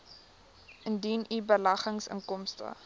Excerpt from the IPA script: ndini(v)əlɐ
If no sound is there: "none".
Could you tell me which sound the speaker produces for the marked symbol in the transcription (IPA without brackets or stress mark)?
b